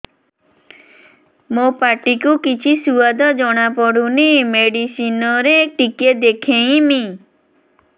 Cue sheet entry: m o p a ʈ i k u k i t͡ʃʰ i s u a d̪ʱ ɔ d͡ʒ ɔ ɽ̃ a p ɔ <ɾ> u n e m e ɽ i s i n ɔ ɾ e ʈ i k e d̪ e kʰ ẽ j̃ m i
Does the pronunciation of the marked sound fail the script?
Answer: yes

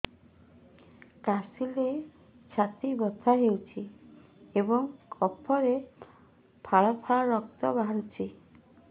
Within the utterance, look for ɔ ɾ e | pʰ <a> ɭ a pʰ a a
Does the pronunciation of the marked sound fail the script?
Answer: no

